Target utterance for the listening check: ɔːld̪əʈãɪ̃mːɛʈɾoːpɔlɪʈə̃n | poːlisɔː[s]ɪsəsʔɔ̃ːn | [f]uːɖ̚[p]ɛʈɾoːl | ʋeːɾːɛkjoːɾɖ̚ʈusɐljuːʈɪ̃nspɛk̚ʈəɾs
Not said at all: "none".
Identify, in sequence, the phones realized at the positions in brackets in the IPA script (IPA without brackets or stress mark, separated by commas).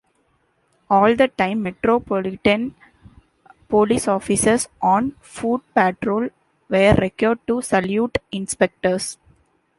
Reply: f, f, p